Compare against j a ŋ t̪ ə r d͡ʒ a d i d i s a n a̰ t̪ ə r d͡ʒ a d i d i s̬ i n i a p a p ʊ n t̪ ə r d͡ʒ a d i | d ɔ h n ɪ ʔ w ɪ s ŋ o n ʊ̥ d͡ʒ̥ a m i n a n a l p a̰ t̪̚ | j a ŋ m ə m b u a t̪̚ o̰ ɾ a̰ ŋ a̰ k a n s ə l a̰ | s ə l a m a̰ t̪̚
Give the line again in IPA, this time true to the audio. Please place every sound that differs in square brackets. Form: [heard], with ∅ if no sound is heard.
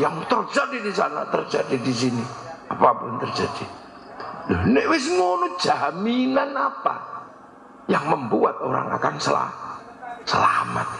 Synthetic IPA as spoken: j a ŋ t̪ ə r d͡ʒ a d i d i s a n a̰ t̪ ə r d͡ʒ a d i d i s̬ i n i a p a p ʊ n t̪ ə r d͡ʒ a d i | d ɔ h n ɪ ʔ w ɪ s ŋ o n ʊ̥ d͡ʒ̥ a m i n a n a [∅] p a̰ [∅] | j a ŋ m ə m b u a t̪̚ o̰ ɾ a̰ ŋ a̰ k a n s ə l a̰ | s ə l a m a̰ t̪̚

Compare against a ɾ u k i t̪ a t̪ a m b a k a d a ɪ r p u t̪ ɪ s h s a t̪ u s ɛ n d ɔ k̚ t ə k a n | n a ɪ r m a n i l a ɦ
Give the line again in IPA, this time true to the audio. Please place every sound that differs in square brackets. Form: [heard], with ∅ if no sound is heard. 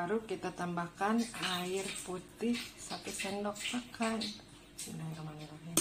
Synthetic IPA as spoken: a ɾ u k i t̪ a t̪ a m b a k a [n] a ɪ r p u t̪ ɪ [∅] h s a t̪ u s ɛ n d ɔ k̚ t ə k a n | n a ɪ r m a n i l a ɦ

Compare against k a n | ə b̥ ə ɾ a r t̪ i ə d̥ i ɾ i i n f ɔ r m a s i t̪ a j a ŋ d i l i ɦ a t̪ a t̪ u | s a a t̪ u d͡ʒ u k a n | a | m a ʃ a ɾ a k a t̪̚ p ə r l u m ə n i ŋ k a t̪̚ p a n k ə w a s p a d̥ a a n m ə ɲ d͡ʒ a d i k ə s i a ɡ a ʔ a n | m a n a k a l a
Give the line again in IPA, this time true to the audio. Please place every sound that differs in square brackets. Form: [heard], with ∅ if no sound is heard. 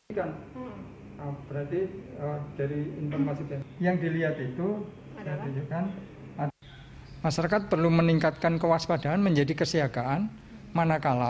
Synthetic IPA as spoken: k a n | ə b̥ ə ɾ a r t̪ i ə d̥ [a] ɾ i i n f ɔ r m a s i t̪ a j a ŋ d i l i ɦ a t̪ [i] t̪ u | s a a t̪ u d͡ʒ u k a n | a | m a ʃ a ɾ a k a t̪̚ p ə r l u m ə n i ŋ k a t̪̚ [k] a n k ə w a s p a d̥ a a n m ə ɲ d͡ʒ a d i k ə s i a ɡ a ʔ a n | m a n a k a l a

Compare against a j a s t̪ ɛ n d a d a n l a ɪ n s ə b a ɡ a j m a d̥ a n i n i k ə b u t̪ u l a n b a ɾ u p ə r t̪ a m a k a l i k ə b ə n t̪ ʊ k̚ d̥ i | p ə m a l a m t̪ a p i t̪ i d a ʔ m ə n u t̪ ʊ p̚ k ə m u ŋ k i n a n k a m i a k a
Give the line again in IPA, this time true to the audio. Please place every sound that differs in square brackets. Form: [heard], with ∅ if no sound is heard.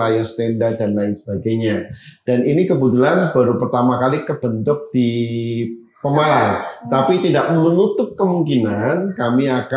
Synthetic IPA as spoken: a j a s t̪ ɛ n d a d a n l a ɪ n s ə b a ɡ a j [ɲ] a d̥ a n i n i k ə b u t̪ u l a n b a ɾ u p ə r t̪ a m a k a l i k ə b ə n t̪ ʊ k̚ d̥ i | p ə m a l a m t̪ a p i t̪ i d a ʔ m ə n u t̪ ʊ p̚ k ə m u ŋ k i n a n k a m i a k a

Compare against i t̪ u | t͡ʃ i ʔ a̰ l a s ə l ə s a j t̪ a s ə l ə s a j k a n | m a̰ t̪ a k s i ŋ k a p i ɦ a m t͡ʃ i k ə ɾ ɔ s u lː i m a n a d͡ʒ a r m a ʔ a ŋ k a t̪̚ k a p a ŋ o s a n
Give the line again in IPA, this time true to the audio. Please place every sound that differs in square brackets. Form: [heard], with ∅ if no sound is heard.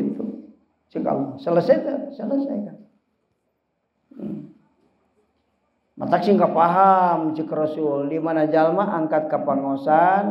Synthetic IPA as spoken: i t̪ u | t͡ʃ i [k] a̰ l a s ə l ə s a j t̪ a s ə l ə s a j k a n | m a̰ t̪ a k s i ŋ k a p [a] ɦ a m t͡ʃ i k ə ɾ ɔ s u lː i m a n a d͡ʒ a [l] m a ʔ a ŋ k a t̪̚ k a p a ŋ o s a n

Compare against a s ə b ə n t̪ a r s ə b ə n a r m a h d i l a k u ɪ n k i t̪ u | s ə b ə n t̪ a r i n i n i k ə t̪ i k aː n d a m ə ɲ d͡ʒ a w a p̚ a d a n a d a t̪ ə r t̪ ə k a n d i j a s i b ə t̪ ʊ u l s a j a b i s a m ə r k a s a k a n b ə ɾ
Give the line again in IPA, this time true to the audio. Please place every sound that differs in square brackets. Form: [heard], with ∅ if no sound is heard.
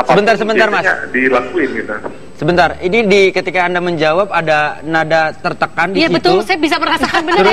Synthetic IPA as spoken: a s ə b ə n t̪ a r s ə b ə n a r m a [s] d i l a k u ɪ n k i t̪ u | s ə b ə n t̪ a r i n i [d] i k ə t̪ i k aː n d a m ə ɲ d͡ʒ a w a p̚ a d a n a d a t̪ ə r t̪ ə k a n d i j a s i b ə t̪ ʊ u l s a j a b i s a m ə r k a s a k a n b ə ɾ

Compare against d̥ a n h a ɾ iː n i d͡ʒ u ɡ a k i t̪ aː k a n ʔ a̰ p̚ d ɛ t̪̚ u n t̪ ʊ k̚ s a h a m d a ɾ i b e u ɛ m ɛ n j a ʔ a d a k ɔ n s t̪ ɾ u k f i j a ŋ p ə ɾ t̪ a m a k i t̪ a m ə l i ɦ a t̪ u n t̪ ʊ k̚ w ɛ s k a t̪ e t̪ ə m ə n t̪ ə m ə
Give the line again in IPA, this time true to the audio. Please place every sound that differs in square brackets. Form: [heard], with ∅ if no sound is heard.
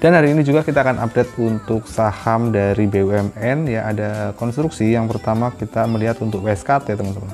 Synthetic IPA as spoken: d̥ a n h a ɾ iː n i d͡ʒ u ɡ a k i t̪ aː k a n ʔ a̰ p̚ d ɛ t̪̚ u n t̪ ʊ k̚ s a h a m d a ɾ i b e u ɛ m ɛ n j a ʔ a d a k ɔ n s t̪ ɾ u k [s] i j a ŋ p ə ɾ t̪ a m a k i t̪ a m ə l i ɦ a t̪ u n t̪ ʊ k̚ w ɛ s k a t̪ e t̪ ə m ə n t̪ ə m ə

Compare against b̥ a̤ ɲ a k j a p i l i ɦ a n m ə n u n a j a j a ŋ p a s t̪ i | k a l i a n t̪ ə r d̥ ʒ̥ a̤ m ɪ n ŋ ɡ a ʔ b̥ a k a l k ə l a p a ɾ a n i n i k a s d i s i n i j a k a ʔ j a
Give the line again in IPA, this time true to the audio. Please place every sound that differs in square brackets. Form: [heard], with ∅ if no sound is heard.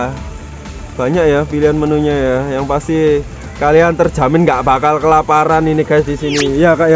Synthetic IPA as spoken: b̥ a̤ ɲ a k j a p i l i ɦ a n m ə n u [ɲ] a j a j a ŋ p a s t̪ i | k a l i a n t̪ ə r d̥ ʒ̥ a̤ m ɪ n ŋ ɡ a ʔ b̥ a k a l k ə l a p a ɾ a n i n i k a s d i s i n i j a k a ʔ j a

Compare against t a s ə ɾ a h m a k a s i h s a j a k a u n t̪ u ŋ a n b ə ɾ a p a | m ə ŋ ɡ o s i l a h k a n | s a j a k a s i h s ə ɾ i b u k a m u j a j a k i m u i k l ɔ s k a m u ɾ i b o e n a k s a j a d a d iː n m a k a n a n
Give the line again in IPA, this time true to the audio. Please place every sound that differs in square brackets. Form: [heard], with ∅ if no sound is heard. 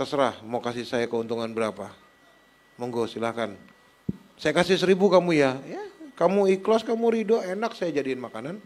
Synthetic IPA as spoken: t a s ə ɾ a h m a k a s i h s a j a k [ə] u n t̪ u ŋ a n b ə ɾ a p a | m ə ŋ ɡ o s i l a h k a n | s a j a k a s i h s ə ɾ i b u k a m u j a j a k [a] m u i k l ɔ s k a m u ɾ i [d] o e n a k s a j a [d͡ʒ] a d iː n m a k a n a n

